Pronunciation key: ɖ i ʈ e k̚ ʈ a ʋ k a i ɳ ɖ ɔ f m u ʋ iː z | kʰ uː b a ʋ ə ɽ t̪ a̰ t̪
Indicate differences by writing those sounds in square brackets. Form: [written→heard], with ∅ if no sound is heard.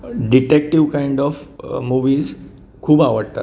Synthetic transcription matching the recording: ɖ i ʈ e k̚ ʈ [a→i] ʋ k a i ɳ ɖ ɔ f m u ʋ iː z | kʰ uː b a ʋ ə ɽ t̪ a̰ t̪